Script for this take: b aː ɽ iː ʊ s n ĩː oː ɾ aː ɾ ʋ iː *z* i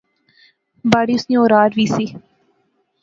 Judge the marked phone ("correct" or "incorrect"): incorrect